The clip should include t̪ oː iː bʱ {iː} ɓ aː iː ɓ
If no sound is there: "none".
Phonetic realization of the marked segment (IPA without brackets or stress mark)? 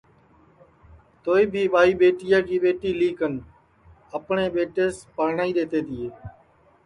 iː